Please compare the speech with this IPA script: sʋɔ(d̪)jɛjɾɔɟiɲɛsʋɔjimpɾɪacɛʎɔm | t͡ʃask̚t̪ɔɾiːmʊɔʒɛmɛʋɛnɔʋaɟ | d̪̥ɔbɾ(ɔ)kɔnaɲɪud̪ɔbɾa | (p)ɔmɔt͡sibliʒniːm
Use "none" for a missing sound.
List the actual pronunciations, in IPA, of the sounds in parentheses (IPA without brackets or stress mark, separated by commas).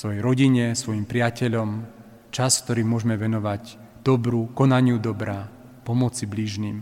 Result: none, u, p